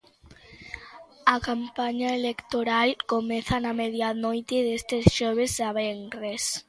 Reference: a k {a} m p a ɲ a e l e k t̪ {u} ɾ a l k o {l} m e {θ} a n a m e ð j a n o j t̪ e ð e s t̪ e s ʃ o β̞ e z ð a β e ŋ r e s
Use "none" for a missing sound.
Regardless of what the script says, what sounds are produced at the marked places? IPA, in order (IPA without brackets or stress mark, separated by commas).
a, o, none, θ